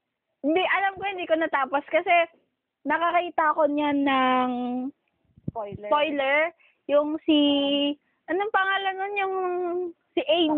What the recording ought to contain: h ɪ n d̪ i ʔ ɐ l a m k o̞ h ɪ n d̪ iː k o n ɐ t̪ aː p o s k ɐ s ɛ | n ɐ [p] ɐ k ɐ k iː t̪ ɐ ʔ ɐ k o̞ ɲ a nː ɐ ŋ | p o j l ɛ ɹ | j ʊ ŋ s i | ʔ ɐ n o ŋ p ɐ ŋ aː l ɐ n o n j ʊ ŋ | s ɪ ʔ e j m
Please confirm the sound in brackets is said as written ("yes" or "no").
no